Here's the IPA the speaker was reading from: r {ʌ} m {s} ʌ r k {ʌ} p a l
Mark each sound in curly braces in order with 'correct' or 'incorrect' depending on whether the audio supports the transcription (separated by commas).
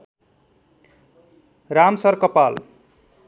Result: incorrect, correct, correct